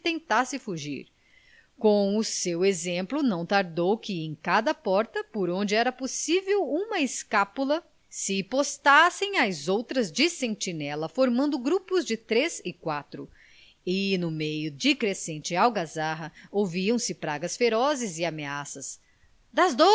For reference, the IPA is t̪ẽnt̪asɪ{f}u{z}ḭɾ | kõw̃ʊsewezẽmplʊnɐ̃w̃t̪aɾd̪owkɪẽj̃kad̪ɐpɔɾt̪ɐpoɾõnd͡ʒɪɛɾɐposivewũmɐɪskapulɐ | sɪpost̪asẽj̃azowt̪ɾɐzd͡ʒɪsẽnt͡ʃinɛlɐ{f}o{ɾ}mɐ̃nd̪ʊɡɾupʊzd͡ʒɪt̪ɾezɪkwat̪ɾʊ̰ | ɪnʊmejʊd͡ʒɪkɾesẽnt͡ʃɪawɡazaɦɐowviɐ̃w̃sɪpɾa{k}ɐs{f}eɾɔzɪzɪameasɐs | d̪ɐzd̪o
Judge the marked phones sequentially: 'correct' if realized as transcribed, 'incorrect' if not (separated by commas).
correct, incorrect, correct, correct, incorrect, correct